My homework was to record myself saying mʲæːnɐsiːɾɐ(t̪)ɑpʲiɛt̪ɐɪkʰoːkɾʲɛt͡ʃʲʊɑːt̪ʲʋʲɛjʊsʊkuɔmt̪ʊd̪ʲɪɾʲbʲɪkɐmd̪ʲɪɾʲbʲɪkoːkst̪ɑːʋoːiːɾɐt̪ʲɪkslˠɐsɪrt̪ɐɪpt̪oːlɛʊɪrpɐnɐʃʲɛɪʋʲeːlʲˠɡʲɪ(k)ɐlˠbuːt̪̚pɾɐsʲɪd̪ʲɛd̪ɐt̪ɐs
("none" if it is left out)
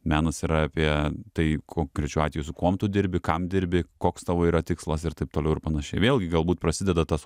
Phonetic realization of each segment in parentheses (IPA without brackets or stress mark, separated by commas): none, ɡ